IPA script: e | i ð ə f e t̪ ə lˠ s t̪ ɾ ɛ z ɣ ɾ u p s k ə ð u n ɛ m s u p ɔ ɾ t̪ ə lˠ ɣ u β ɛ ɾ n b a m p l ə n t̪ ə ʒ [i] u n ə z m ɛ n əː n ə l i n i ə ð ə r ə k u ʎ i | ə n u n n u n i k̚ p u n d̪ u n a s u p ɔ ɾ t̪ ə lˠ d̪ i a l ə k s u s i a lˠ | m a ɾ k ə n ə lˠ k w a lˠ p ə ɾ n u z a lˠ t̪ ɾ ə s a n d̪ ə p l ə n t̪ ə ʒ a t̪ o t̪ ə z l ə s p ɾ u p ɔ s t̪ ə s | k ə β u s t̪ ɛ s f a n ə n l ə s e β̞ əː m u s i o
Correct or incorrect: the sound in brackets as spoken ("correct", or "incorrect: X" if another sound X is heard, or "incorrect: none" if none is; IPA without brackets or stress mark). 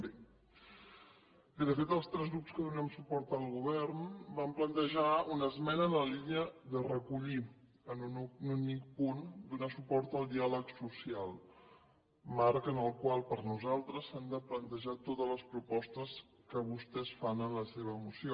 incorrect: a